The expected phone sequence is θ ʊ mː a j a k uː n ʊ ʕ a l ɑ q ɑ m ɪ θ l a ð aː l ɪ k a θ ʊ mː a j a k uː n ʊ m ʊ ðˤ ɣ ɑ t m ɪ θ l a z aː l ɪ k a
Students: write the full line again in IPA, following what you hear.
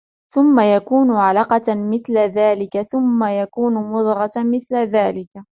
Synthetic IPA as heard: θ ʊ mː a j a k uː n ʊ ʕ a l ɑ q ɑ m ɪ θ l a ð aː l ɪ k a θ ʊ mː a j a k uː n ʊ m ʊ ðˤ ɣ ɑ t m ɪ θ l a ð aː l ɪ k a